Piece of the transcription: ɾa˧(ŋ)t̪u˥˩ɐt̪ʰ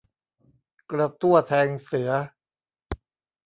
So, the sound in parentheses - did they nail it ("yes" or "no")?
no